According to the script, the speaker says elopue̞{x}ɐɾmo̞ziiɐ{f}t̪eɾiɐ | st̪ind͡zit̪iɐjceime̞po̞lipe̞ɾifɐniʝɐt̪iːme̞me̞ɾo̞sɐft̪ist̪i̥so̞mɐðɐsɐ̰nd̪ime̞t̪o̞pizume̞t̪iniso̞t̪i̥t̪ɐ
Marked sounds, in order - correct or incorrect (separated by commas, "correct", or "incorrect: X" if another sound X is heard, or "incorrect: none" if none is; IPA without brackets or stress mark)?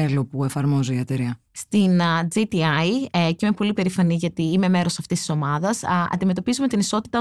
incorrect: f, incorrect: none